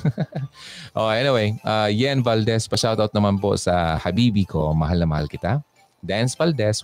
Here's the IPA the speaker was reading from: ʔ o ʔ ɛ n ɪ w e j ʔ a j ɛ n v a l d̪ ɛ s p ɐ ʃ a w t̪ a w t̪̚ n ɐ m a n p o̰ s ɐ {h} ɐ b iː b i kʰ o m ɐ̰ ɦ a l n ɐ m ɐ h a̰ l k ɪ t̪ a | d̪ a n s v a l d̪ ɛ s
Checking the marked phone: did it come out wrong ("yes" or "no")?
no